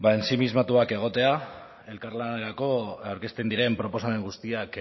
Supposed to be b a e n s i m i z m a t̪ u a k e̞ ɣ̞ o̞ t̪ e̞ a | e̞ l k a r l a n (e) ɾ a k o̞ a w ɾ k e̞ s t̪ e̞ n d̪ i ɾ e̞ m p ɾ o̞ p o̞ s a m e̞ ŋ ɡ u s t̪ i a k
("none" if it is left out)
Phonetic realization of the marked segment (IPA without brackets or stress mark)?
e